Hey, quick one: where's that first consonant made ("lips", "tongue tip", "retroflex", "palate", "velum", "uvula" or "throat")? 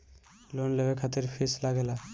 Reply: tongue tip